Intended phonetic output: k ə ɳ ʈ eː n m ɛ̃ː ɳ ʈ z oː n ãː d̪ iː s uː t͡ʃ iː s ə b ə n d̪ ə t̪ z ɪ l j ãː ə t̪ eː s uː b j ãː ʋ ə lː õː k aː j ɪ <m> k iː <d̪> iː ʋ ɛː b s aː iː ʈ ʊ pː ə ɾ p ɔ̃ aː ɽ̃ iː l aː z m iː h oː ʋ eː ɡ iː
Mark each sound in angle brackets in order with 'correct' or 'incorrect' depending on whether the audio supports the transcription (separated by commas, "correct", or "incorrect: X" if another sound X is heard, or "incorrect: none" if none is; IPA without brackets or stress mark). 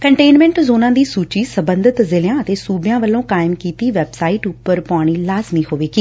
correct, incorrect: t̪